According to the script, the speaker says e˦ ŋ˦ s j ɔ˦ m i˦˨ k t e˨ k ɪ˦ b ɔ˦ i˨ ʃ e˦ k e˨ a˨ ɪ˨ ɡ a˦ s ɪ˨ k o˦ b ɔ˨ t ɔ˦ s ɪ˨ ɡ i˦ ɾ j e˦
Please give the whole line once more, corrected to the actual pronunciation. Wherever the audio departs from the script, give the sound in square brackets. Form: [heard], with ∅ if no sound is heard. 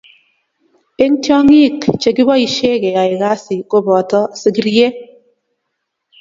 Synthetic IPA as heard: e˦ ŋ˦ [t] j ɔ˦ [ŋ] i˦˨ k [t͡ʃ] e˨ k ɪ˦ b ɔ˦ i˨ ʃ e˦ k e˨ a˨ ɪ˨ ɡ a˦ s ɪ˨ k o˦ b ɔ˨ t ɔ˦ s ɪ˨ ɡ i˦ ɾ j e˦